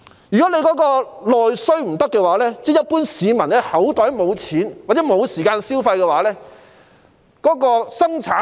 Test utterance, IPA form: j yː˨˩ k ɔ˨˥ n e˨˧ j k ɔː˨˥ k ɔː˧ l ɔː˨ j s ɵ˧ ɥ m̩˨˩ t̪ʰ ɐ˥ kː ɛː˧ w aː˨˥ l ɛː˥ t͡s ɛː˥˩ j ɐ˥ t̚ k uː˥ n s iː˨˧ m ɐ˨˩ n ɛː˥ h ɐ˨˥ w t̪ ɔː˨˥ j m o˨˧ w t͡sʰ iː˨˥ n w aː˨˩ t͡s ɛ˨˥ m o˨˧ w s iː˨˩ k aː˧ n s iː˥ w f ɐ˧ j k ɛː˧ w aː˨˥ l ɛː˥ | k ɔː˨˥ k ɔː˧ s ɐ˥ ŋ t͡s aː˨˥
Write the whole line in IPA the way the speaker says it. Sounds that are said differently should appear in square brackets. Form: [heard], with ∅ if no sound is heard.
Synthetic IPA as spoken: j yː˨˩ k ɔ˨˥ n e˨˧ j k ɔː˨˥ k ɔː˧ l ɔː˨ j s [ɵ˥] ɥ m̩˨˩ [t̪] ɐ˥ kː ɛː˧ w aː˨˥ l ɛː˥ t͡s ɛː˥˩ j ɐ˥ t̚ [p] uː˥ n s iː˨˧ m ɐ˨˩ n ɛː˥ h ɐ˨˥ w t̪ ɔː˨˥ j m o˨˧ w t͡sʰ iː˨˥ n w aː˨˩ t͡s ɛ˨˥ m o˨˧ w s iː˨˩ k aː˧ n s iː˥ w f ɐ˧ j k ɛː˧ w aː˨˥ l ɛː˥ | k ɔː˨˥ k ɔː˧ s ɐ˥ ŋ [t͡sʰ] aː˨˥